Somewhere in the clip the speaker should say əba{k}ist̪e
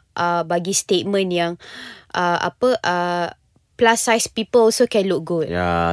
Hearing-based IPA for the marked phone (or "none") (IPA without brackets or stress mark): ɡ